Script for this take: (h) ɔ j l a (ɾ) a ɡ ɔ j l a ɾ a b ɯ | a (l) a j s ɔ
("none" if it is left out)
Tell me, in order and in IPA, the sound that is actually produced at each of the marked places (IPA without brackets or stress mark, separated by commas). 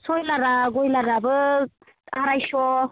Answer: s, ɾ, ɾ